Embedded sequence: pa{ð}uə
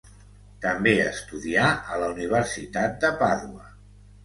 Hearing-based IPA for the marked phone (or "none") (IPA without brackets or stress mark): ð